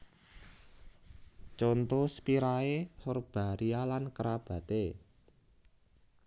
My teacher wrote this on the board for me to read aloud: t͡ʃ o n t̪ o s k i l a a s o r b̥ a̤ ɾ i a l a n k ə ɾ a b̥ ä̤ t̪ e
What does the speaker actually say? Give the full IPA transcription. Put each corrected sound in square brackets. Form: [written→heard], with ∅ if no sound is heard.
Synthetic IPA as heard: t͡ʃ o n t̪ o s [k→p] i [l→ɾ] a [a→e] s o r b̥ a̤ ɾ i a l a n k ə ɾ a b̥ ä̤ t̪ e